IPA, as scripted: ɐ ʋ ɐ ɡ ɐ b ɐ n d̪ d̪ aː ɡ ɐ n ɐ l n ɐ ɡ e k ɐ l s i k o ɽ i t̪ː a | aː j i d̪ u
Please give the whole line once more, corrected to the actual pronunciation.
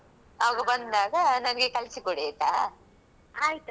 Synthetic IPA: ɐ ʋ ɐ ɡ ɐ b ɐ n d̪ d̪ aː ɡ ɐ n ɐ n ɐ ɡ e k ɐ l s i k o ɽ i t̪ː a | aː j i t̪ u